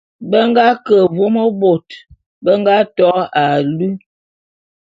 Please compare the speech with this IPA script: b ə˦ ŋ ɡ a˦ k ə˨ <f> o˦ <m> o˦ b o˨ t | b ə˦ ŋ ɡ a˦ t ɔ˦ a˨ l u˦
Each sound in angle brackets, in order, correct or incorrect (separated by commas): incorrect, correct